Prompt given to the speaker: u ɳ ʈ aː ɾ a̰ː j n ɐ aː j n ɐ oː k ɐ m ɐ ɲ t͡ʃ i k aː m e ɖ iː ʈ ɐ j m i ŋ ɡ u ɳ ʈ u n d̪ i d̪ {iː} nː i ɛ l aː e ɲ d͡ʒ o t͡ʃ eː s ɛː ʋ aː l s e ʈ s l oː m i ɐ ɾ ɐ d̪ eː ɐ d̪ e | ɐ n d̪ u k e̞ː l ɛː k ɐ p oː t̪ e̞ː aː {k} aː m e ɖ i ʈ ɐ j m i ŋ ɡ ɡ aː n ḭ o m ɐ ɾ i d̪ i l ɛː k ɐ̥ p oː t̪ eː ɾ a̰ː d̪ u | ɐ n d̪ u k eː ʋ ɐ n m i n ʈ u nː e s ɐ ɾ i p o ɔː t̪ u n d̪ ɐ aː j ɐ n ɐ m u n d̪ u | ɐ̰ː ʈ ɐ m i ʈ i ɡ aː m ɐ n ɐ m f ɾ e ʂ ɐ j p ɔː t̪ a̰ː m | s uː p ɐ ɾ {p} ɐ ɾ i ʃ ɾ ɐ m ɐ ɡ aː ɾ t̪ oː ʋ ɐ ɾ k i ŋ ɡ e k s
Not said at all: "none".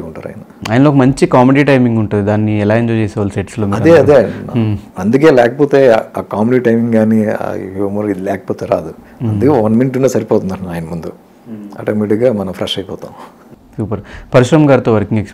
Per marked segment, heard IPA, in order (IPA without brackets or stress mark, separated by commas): aː, k, p